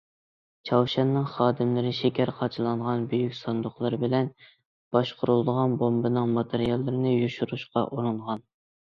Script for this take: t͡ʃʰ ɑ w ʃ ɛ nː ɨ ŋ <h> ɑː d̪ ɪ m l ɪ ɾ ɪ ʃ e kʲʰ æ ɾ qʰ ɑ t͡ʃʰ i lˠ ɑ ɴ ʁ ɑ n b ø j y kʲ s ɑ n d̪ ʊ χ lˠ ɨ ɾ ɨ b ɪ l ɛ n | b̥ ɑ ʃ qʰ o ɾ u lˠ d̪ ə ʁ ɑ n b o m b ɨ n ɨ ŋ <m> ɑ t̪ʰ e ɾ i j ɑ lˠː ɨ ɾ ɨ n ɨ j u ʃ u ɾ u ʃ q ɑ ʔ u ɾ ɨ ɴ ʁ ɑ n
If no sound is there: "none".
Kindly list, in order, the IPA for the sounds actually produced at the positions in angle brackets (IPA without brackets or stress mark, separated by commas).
χ, m